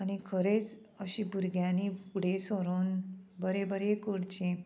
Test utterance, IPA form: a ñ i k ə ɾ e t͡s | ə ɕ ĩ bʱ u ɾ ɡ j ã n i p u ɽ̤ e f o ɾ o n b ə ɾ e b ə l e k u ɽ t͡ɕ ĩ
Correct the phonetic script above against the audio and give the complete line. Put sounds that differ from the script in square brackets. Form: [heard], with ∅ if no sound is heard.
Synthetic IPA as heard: a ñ i [kʰ] ə ɾ e t͡s | ə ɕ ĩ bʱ u ɾ ɡ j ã n i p u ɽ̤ e [s] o ɾ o n b ə ɾ e b ə [ɾ] e k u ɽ t͡ɕ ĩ